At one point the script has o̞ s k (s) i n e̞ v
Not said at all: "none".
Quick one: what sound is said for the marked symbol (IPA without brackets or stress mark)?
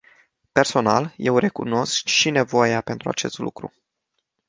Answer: ʃ